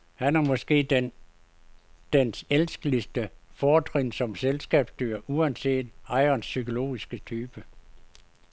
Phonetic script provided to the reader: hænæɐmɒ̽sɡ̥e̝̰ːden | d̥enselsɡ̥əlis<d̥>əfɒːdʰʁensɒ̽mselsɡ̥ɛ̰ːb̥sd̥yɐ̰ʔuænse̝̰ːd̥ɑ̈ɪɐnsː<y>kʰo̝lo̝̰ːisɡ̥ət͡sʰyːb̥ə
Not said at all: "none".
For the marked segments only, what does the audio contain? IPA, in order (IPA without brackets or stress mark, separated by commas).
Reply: d̥, y